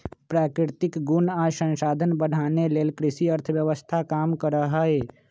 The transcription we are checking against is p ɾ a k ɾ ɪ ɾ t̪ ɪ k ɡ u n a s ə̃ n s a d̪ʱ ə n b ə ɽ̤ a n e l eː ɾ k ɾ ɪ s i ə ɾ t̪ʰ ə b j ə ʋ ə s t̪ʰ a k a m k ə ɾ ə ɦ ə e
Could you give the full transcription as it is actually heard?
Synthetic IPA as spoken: p ɾ a k ɾ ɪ ɾ t̪ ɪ k ɡ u n a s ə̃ n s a d̪ʱ ə n b ə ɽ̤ a n e l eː l k ɾ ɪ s i ə ɾ t̪ʰ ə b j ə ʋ ə s t̪ʰ a k a m k ə ɾ ə ɦ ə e